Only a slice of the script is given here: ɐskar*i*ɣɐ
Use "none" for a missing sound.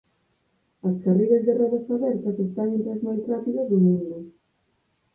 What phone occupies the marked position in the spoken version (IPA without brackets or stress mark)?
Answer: i